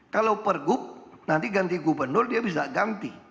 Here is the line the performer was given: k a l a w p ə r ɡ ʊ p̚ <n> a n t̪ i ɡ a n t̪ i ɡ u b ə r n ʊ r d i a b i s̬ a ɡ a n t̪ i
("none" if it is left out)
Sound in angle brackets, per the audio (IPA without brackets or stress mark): n